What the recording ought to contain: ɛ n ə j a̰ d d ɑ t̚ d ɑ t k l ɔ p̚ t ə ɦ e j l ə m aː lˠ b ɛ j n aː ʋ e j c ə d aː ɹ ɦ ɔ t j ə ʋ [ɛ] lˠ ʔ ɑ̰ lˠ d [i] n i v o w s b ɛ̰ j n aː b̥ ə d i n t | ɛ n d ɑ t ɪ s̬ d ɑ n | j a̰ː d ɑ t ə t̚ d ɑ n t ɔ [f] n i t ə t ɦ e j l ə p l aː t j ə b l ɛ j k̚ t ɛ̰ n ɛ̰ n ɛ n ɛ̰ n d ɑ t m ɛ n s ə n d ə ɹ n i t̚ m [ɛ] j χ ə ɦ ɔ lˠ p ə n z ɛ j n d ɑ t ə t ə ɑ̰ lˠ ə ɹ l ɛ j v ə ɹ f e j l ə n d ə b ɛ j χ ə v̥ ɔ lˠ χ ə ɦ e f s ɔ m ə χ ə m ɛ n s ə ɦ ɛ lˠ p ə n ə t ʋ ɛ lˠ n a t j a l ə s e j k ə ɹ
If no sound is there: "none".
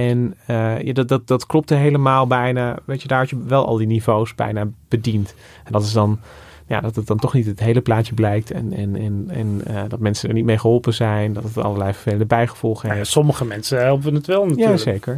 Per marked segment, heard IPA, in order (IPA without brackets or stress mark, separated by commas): ɛ, i, χ, e